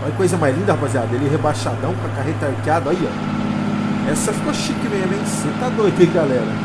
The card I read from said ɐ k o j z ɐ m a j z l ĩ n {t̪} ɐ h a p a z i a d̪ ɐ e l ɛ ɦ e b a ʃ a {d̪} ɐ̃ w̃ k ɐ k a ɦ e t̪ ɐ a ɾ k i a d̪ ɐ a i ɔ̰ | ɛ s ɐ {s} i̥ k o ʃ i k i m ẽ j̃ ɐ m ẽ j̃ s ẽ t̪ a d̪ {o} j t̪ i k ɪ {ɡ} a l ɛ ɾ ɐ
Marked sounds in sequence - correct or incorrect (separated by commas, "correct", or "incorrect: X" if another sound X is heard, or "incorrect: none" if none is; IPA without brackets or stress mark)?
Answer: incorrect: d̪, correct, incorrect: f, correct, correct